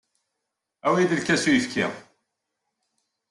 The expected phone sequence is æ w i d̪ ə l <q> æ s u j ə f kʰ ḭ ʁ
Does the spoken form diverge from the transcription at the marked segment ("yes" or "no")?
yes